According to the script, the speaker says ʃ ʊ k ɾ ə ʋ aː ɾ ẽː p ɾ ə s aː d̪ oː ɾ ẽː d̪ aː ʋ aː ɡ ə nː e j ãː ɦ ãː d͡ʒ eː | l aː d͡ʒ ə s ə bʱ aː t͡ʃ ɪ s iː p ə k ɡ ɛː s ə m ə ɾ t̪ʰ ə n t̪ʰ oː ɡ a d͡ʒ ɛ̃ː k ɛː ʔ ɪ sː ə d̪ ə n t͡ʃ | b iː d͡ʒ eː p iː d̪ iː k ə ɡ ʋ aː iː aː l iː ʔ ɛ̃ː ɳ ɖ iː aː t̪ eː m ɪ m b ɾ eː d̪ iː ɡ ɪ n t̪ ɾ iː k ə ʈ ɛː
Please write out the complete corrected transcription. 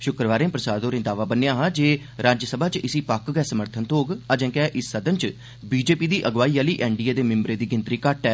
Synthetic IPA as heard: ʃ ʊ k ɾ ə ʋ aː ɾ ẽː p ɾ ə s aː d̪ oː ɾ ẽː d̪ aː ʋ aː b ə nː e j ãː ɦ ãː d͡ʒ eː | ɾ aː d͡ʒ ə s ə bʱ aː t͡ʃ ɪ s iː p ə k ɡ ɛː s ə m ə ɾ t̪ʰ ə n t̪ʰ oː ɡ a d͡ʒ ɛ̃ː k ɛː ʔ ɪ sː ə d̪ ə n t͡ʃ | b iː d͡ʒ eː p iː d̪ iː ʔ ə ɡ ʋ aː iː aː l iː ʔ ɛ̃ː ɳ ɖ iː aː d̪ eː m ɪ m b ɾ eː d̪ iː ɡ ɪ n t̪ ɾ iː k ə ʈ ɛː

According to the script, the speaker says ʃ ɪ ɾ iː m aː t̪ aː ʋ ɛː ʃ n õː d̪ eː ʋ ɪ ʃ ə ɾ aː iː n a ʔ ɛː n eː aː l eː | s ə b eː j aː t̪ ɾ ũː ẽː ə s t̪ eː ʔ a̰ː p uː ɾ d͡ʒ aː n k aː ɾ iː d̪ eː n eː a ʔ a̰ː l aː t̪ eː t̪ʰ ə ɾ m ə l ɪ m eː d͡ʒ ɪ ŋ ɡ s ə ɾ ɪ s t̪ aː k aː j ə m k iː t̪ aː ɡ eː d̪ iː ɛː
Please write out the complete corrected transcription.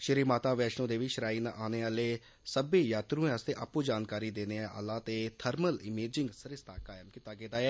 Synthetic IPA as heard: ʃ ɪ ɾ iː m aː t̪ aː ʋ ɛː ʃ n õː d̪ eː ʋ ɪ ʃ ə ɾ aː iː n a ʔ aː n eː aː l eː | s ə b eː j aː t̪ ɾ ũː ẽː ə s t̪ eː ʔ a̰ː p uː d͡ʒ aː n k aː ɾ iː d̪ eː n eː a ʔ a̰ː l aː t̪ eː t̪ʰ ə ɾ m ə l ɪ m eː d͡ʒ ɪ ŋ ɡ s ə ɾ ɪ s t̪ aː k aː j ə m k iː t̪ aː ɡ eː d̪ aː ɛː

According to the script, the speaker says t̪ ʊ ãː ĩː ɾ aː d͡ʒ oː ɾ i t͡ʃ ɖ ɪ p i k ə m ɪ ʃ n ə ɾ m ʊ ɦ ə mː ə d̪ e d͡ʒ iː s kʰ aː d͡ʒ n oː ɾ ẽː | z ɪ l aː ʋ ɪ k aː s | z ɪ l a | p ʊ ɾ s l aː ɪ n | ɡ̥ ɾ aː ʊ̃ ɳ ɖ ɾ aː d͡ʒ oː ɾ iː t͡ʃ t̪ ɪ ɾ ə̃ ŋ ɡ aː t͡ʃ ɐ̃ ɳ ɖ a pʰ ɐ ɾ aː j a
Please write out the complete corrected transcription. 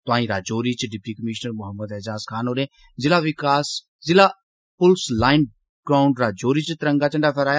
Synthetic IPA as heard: t̪ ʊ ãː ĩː ɾ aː d͡ʒ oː ɾ i t͡ʃ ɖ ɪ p i k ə m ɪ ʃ n ə ɾ m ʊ ɦ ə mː ə d̪ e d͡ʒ aː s kʰ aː n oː ɾ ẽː | z ɪ l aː ʋ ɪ k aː s | z ɪ l a | p ʊ l s l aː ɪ n | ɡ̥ ɾ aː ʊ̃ ɳ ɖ ɾ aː d͡ʒ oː ɾ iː t͡ʃ t̪ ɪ ɾ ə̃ ŋ ɡ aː t͡ʃ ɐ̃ ɳ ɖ a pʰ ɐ ɾ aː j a

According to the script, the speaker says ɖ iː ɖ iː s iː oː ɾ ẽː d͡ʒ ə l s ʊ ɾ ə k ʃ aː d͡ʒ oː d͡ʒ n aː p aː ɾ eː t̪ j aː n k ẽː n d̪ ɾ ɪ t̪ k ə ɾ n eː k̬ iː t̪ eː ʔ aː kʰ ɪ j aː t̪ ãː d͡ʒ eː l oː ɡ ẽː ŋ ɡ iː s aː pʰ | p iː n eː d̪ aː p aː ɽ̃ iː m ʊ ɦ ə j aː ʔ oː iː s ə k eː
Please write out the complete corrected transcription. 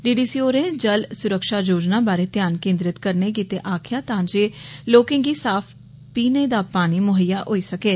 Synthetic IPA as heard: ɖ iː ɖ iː s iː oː ɾ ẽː d͡ʒ ə l s ʊ ɾ ə k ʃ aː d͡ʒ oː d͡ʒ n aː b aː ɾ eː t̪ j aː n k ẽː n d̪ ɾ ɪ t̪ k ə ɾ n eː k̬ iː t̪ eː ʔ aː kʰ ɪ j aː t̪ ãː d͡ʒ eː l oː k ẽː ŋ ɡ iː s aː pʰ | p iː n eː d̪ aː p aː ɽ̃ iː m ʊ ɦ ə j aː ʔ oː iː s ə k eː

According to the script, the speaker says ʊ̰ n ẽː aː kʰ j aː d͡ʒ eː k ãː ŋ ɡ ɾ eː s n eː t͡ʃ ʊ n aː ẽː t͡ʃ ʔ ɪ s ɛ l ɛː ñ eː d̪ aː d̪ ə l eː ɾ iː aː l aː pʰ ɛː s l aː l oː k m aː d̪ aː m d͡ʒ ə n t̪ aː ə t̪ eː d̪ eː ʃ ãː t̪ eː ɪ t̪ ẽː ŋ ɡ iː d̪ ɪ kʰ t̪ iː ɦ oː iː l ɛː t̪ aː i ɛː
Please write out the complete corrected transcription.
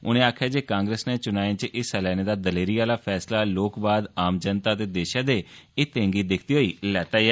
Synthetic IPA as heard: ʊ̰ n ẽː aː kʰ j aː d͡ʒ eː k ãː ŋ ɡ ɾ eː s n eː t͡ʃ ʊ n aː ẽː t͡ʃ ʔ ɪ s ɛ l ɛː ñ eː d̪ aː d̪ ə l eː ɾ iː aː l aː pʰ ɛː s l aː l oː k b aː d̪ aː m d͡ʒ ə n t̪ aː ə t̪ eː d̪ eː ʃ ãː d̪ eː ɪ t̪ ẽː ŋ ɡ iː d̪ ɪ kʰ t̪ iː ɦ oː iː l ɛː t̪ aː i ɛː

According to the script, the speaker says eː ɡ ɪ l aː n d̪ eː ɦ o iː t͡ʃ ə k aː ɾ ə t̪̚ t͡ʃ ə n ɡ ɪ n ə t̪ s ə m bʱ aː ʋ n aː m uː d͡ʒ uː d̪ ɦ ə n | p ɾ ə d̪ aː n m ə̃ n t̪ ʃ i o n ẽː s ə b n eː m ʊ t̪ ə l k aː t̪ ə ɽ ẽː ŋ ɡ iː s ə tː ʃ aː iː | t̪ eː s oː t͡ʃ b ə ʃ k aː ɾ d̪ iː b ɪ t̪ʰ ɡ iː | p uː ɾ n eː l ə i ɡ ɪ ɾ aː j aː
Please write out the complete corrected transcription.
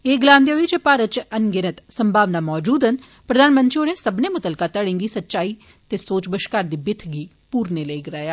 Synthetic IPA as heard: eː ɡ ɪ l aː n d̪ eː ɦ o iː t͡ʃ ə p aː ɾ ə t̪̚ t͡ʃ ə n ɡ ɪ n ə t̪ s ə m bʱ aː ʋ n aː m ɔː d͡ʒ uː d̪ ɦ ə n | p ɾ ə d̪ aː n m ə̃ n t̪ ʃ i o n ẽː s ə b n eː m ʊ t̪ ə l k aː t̪ ə ɽ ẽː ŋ ɡ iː s ə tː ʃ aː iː | t̪ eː s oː t͡ʃ b ə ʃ k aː ɾ d̪ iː b ɪ t̪ʰ ɡ iː | p uː ɾ n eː l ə i ɡ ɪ ɾ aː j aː

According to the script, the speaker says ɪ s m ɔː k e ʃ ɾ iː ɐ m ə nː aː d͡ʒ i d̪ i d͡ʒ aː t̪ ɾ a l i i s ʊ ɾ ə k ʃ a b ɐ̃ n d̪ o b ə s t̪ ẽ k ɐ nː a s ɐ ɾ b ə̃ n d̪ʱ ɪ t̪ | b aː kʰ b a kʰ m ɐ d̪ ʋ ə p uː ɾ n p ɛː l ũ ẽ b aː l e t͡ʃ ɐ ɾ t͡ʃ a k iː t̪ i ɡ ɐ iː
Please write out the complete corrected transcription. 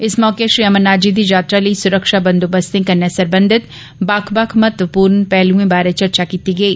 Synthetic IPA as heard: ɪ s m ɔː k e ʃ ɾ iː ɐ m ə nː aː d͡ʒ i d̪ i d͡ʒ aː t̪ ɾ a l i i s ʊ ɾ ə k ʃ a b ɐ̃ n d̪ o b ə s t̪ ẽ k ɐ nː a s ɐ ɾ b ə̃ n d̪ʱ ɪ t̪ | b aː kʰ b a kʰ m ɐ t̪ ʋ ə p uː ɾ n p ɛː l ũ ẽ b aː ɾ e t͡ʃ ɐ ɾ t͡ʃ a k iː t̪ i ɡ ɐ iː

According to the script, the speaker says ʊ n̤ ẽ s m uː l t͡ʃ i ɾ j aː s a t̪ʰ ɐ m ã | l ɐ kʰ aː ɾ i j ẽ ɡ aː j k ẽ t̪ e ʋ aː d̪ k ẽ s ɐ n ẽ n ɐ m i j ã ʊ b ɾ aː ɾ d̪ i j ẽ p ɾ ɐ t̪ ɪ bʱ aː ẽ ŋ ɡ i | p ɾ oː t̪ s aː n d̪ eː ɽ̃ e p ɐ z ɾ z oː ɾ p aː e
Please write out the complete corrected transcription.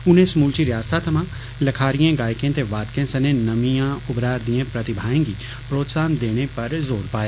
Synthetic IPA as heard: ʊ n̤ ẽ s m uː l t͡ʃ i ɾ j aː s a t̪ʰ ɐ m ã | l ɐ kʰ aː ɾ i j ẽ ɡ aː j k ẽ t̪ e ʋ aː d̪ k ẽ s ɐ n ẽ n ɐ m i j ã ʊ b ɾ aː ɾ d̪ i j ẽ p ɾ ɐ t̪ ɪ bʱ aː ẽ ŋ ɡ i | p ɾ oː t̪ s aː n d̪ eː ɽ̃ e p ɐ ɾ z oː ɾ p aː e

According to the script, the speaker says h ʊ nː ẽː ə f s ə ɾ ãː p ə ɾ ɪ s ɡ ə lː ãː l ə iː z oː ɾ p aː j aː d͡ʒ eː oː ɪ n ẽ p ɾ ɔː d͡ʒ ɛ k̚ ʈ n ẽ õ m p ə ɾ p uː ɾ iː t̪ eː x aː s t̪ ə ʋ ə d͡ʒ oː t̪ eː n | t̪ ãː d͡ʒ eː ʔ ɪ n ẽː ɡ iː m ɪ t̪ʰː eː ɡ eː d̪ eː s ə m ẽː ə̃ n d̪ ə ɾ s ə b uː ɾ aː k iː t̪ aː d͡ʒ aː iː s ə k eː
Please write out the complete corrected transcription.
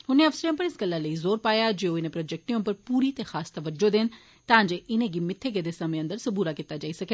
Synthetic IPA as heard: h ʊ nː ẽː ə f s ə ɾ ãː p ə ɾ ɪ s ɡ ə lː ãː l ə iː z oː ɾ p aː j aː d͡ʒ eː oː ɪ n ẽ p ɾ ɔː d͡ʒ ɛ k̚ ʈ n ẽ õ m p ə ɾ p uː ɾ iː t̪ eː x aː s t̪ ə ʋ ə d͡ʒ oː d̪ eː n | t̪ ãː d͡ʒ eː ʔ ɪ n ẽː ɡ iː m ɪ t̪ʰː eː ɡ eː d̪ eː s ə m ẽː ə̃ n d̪ ə ɾ s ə b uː ɾ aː k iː t̪ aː d͡ʒ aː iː s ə k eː

